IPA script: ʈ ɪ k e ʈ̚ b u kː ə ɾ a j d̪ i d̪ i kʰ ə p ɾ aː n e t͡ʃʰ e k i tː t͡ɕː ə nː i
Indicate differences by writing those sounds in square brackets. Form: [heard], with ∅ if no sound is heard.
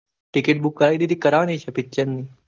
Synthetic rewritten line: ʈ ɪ k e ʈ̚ b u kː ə ɾ a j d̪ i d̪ i [k] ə [∅] ɾ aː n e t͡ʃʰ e [p] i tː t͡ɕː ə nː i